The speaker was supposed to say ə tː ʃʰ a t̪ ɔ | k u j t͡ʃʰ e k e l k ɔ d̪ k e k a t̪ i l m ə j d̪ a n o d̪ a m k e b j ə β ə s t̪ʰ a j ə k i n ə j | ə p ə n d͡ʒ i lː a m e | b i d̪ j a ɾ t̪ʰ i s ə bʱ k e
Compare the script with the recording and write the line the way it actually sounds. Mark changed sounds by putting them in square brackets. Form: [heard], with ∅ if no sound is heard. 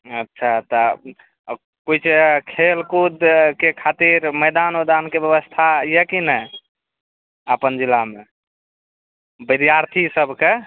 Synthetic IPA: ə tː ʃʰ a t̪ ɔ | k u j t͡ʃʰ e [kʰ] e l k [u] d̪ k e [kʰ] a t̪ i [ɾ] m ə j d̪ a n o d̪ a [n] k e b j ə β ə s t̪ʰ a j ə k i n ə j | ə p ə n d͡ʒ i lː a m e | b i d̪ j a ɾ t̪ʰ i s ə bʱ k e